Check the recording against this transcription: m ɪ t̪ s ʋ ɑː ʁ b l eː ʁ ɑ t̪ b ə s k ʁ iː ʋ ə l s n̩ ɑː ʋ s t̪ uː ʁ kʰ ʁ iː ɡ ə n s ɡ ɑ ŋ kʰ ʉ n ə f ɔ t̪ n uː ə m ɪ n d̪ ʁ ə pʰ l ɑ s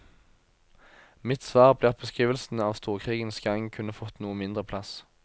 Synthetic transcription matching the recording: m ɪ t̪ s ʋ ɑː ʁ b l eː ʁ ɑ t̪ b ə s k ʁ iː ʋ ə l s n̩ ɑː ʋ s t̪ uː ʁ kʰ ʁ iː ɡ ə n s ɡ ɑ ŋ kʰ ʉ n ə f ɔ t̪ n uː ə m ɪ n d̪ ʁ ə pʰ l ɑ s